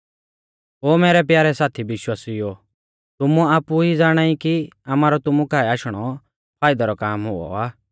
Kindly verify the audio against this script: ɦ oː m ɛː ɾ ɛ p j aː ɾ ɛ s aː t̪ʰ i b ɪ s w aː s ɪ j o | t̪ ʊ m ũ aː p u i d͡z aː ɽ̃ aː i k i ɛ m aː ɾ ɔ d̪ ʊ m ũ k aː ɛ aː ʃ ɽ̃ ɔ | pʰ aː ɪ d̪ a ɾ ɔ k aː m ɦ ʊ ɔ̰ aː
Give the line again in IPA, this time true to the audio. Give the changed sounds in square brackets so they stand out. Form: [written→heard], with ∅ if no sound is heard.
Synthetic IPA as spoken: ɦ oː m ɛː ɾ ɛ p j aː ɾ ɛ s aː t̪ʰ i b ɪ [s→ʃ] w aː s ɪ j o | t̪ ʊ m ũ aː p u i d͡z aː ɽ̃ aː i k i [ɛ→a] m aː ɾ ɔ [d̪→t̪] ʊ m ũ k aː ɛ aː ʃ ɽ̃ ɔ | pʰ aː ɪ d̪ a ɾ ɔ k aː m ɦ ʊ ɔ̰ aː